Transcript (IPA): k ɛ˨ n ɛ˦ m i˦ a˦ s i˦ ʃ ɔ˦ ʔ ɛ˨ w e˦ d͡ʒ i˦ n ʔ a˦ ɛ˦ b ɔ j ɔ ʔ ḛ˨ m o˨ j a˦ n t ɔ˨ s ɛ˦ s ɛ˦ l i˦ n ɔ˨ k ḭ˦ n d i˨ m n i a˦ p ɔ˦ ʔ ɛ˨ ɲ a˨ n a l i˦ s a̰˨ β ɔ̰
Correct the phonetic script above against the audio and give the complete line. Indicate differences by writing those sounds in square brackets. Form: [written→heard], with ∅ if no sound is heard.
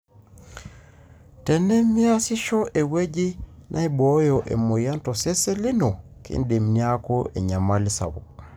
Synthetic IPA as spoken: [k→t] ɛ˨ n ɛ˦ m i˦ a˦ s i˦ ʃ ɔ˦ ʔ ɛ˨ w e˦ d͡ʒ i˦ n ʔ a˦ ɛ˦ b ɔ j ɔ ʔ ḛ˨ m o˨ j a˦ n t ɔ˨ s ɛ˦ s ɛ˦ l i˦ n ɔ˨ k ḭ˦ n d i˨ m n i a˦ [p→k] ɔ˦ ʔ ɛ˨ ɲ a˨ [n→m] a l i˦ s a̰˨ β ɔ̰